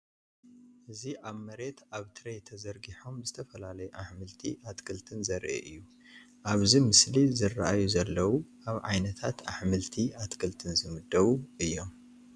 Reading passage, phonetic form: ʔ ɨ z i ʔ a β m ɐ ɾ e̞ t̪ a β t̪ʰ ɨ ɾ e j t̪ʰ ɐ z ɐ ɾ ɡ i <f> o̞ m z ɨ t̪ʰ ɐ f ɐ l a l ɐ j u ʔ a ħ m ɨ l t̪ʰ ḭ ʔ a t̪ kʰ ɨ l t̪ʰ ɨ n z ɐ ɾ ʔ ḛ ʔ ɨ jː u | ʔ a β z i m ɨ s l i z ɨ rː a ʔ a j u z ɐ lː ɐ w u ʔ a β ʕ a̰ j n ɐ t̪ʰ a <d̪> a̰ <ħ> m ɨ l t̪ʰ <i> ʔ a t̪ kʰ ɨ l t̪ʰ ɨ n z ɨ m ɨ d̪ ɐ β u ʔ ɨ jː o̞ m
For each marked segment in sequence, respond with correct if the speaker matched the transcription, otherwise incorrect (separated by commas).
incorrect, incorrect, correct, correct